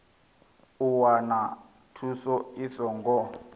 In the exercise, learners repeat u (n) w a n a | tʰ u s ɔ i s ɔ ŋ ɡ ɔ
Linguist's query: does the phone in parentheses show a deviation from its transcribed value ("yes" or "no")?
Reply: yes